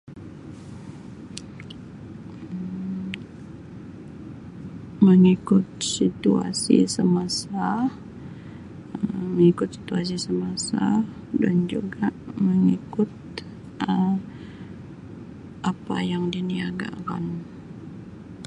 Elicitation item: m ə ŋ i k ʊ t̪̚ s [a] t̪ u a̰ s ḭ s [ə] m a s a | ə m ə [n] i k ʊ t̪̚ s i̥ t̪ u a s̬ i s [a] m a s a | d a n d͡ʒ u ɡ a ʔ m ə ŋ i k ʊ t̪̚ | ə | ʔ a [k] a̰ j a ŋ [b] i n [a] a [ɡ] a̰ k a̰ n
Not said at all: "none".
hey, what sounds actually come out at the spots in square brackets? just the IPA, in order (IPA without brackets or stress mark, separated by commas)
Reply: i, ə, ŋ, ə, p, d, i, ɡ